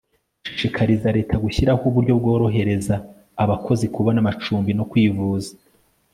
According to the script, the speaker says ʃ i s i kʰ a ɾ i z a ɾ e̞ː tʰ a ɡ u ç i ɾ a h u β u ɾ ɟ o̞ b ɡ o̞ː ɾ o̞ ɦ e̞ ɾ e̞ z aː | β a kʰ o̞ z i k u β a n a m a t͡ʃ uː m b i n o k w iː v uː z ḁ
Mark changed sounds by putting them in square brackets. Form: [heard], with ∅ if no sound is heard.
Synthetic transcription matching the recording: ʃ i [ʃ] i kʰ a ɾ i z a ɾ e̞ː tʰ a ɡ u ç i ɾ a h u β u ɾ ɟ o̞ b ɡ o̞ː ɾ o̞ ɦ e̞ ɾ e̞ z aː | β a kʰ o̞ z i k u β a n a m a t͡ʃ uː m b i n o k w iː v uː z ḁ